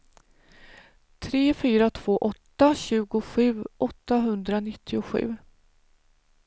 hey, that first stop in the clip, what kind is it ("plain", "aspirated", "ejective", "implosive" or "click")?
aspirated